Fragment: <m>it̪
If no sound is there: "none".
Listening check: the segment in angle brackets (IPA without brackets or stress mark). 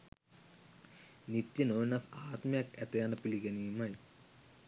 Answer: n